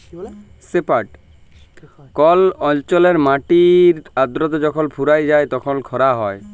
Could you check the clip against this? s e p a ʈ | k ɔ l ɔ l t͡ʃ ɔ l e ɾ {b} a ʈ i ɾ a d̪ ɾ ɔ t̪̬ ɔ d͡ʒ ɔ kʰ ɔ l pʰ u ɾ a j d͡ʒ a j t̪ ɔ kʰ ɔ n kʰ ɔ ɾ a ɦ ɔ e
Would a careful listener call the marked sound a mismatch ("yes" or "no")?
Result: yes